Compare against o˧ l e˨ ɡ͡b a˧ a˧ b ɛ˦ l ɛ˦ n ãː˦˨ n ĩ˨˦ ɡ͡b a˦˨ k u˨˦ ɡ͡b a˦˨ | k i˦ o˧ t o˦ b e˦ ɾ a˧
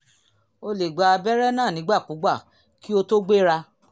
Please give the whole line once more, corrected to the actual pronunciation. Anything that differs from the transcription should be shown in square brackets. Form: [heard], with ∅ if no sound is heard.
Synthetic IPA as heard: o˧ l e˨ ɡ͡b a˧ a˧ b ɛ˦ [ɾ] ɛ˦ n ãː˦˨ n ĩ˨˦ ɡ͡b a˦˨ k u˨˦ ɡ͡b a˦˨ | k i˦ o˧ t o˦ [ɡ͡b] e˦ ɾ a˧